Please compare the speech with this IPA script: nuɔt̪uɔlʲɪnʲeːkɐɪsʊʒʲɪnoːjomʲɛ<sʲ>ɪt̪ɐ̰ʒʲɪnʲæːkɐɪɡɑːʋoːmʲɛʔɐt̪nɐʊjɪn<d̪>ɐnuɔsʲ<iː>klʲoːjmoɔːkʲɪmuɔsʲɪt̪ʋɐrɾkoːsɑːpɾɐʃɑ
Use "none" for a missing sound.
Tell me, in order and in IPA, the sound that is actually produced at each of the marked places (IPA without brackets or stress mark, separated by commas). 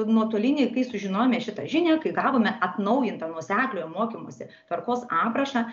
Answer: ʃʲ, t̪, æː